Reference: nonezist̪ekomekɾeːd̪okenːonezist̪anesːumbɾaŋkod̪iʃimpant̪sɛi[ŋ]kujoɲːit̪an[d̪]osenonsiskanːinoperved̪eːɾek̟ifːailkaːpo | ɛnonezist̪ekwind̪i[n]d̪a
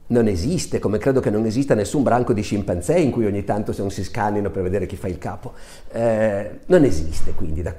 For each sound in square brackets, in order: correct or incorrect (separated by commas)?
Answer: correct, incorrect, incorrect